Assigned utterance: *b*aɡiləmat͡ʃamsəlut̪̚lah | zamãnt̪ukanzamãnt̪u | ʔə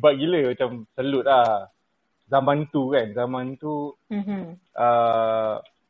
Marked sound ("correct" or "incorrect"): correct